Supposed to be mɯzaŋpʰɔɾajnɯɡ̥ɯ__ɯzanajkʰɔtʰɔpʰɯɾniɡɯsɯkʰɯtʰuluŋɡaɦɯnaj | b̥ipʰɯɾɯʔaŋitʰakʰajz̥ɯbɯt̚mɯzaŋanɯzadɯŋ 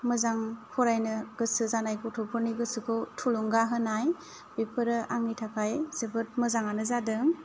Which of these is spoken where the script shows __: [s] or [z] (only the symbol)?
s